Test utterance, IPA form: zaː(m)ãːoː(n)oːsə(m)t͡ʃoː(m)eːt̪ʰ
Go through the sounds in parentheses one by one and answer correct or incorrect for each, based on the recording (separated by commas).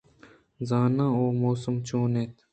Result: incorrect, incorrect, correct, incorrect